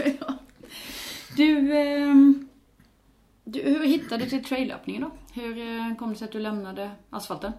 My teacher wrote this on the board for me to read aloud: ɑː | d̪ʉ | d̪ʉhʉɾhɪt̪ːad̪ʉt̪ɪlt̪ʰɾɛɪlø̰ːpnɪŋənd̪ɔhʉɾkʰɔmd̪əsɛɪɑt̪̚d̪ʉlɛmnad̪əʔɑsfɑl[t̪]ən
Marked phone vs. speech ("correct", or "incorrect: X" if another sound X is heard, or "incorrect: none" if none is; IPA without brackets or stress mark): correct